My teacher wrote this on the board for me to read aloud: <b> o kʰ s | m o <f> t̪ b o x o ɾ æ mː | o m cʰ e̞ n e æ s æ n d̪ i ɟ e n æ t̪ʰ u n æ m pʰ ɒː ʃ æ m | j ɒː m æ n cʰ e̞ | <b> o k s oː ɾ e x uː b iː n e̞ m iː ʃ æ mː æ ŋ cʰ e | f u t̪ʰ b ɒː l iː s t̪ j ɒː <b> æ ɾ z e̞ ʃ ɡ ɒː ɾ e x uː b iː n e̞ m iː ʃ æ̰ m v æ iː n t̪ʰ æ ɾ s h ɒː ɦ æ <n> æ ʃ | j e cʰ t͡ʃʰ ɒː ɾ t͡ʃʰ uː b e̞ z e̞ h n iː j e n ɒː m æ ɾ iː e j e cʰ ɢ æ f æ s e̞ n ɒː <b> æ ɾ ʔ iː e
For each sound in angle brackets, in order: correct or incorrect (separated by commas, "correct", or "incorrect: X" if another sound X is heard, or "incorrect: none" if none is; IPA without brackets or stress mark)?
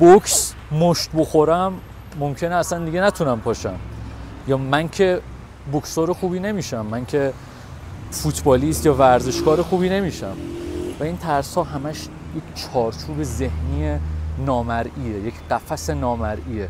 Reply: correct, incorrect: ʃ, correct, incorrect: v, incorrect: m, incorrect: m